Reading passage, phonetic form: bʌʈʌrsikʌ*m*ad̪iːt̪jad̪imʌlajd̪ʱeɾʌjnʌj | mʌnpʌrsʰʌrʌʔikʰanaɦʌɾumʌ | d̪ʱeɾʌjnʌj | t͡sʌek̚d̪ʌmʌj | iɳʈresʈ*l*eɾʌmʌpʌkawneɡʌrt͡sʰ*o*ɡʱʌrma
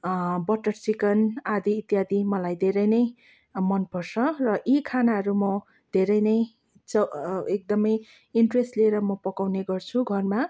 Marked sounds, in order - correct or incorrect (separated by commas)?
incorrect, correct, incorrect